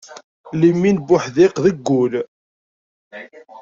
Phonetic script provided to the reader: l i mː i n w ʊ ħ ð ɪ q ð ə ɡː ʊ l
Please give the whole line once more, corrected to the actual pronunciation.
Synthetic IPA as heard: l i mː i n b ʊ ħ ð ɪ q ð ə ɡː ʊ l